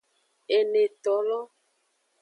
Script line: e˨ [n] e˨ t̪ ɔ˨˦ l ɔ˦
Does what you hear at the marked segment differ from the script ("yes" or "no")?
no